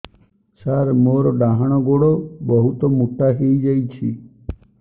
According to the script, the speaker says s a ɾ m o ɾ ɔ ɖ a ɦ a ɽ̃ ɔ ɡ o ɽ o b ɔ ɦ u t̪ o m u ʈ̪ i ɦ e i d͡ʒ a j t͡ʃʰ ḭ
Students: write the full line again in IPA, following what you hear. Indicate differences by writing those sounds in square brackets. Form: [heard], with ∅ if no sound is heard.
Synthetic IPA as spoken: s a ɾ m o ɾ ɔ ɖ a ɦ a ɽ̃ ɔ ɡ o ɽ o b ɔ ɦ u t̪ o m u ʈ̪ [a] ɦ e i d͡ʒ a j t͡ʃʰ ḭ